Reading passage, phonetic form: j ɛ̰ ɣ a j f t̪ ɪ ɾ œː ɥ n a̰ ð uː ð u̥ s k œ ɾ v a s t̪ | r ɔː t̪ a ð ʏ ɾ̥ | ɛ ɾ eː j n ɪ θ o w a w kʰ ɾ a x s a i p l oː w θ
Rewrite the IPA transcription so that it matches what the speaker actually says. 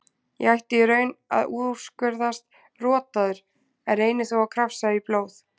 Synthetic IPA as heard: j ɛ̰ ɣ a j h t̪ ɪ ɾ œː ɥ n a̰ ð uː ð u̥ s k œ ɾ ð a s t̪ | r ɔː t̪ a ð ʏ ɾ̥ | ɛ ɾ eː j n ɪ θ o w a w kʰ ɾ a f s a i p l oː w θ